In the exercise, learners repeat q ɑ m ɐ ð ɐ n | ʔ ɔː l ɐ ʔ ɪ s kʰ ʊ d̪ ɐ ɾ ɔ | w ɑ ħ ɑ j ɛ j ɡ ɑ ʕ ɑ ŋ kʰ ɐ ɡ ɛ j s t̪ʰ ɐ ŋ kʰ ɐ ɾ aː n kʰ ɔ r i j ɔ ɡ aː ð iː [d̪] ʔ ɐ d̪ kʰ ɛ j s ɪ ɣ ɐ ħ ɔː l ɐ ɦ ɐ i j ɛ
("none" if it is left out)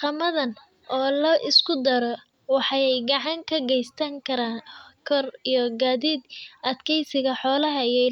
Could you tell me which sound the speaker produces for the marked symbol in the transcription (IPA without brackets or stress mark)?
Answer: d̪